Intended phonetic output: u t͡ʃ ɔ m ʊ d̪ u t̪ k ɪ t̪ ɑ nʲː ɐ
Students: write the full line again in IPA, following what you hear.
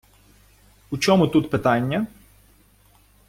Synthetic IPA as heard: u t͡ʃ ɔ m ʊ t̪ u t̪ p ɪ t̪ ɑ nʲː ɐ

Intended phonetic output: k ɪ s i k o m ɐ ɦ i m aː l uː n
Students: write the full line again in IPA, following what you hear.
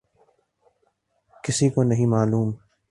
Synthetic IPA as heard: k ɪ s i k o n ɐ ɦ ĩ m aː l uː m

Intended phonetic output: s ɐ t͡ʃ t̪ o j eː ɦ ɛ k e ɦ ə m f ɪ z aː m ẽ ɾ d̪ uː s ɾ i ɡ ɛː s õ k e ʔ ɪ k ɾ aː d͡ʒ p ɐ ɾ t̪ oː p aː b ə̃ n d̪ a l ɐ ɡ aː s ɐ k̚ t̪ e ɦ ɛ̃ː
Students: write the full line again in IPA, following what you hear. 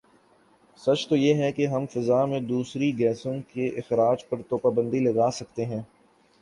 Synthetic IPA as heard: s ɐ t͡ʃ t̪ o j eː ɦ ɛ k e ɦ ɐ m f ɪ z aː m ẽ d̪ uː s ɾ i ɡ ɛː s õ k e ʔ ɪ x ɾ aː d͡ʒ p ɐ ɾ t̪ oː p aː b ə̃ n d̪ i l ɐ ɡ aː s ɐ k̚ t̪ e ɦ ɛ̃ː

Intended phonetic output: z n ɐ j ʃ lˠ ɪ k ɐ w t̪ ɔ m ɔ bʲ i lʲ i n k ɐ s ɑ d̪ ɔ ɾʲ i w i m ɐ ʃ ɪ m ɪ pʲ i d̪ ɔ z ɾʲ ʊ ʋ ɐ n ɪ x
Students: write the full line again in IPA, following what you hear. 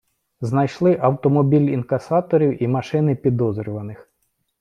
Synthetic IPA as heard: z n ɐ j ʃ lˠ ɪ ʔ ɐ w t̪ ɔ m ɔ bʲ i lʲ i n k ɐ s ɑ t̪ ɔ ɾʲ i w i m ɐ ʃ ɪ n ɪ pʲ i d̪ ɔ z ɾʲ ʊ ʋ ɐ n ɪ x

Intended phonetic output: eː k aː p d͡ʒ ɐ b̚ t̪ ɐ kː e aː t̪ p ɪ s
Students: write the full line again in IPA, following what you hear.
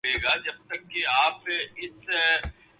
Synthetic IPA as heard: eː ɡ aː d͡ʒ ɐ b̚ t̪ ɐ kː e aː p ɪ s

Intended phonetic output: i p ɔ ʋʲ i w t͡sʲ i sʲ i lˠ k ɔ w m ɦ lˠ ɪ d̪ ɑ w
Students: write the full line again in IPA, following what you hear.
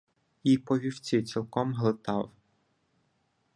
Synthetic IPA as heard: i p ɔ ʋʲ i w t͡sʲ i t͡sʲ i lˠ k ɔ m ɦ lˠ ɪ t̪ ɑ w

